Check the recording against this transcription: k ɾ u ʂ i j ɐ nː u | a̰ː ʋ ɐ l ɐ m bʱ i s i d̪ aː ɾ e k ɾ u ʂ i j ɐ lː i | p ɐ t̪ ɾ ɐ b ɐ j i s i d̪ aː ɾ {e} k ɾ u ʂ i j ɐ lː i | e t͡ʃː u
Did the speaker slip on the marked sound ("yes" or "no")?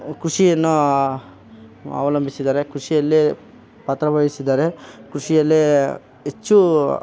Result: no